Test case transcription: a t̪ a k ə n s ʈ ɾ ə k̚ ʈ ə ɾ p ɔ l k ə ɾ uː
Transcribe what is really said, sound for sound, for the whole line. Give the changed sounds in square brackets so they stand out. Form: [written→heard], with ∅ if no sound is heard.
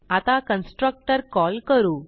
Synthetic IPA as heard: a t̪ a k ə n s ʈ ɾ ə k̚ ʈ ə ɾ [p→k] ɔ l k ə ɾ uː